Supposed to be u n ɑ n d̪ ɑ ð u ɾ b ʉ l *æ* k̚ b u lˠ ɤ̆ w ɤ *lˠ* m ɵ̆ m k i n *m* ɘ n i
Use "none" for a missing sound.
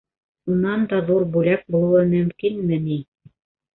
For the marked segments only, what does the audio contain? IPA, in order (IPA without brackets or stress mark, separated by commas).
æ, none, m